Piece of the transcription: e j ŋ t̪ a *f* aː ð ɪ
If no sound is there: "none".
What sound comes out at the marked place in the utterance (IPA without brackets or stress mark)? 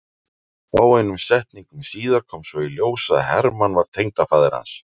f